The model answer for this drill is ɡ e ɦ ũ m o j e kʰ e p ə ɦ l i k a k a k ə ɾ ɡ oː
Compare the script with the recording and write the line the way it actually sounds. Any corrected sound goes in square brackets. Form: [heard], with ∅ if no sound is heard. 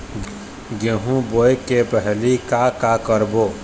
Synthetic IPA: ɡ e ɦ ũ [b] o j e [k] e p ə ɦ l i k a k a k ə ɾ [b] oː